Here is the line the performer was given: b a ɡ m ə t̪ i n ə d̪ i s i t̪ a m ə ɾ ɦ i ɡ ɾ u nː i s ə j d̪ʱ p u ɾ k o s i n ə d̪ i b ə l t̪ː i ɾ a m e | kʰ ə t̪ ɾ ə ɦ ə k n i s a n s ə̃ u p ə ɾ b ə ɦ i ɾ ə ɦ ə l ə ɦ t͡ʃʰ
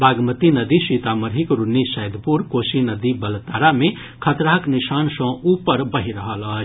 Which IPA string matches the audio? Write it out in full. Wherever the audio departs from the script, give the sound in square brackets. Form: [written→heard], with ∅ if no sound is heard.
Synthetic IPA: b a ɡ m ə t̪ i n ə d̪ i s i t̪ a m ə ɾ ɦ i [ɡ→k] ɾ u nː i s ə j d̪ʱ p u ɾ k o s i n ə d̪ i b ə l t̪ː [i→a] ɾ a m e | kʰ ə t̪ ɾ [ə→a] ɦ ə k n i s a n s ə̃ u p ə ɾ b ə ɦ i ɾ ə ɦ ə l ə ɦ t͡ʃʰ